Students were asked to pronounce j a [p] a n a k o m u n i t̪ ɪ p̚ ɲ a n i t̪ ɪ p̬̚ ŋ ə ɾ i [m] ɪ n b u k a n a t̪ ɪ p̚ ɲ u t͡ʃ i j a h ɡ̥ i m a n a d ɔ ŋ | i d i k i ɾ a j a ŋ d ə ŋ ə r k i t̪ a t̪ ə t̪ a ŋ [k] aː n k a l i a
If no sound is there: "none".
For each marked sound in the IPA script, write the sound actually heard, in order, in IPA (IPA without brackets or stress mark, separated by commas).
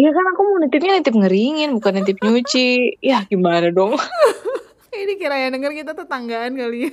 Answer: k, ŋ, ɡ